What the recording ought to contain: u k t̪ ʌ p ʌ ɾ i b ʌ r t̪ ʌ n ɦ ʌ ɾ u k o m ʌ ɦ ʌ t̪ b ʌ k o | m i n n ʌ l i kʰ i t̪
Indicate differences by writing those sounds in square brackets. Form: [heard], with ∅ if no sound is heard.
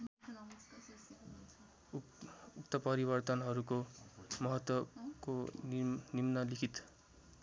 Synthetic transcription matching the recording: u k t̪ ʌ p ʌ ɾ i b ʌ r t̪ ʌ n ɦ ʌ ɾ u k o m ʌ ɦ ʌ t̪ [w] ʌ k o | [n] i [m] n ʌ l i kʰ i t̪